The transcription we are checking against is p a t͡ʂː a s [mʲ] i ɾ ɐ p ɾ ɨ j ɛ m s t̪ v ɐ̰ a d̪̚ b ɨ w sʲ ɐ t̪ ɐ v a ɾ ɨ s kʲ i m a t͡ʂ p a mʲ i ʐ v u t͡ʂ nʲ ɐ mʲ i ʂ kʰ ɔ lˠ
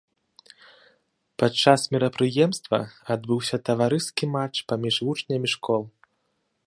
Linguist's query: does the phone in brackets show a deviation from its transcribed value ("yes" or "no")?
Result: no